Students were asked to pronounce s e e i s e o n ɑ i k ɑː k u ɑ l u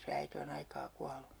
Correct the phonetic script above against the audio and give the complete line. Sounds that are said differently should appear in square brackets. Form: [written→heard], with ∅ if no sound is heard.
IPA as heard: s e [e→æ] i [s→t] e o n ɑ i k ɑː k u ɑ l u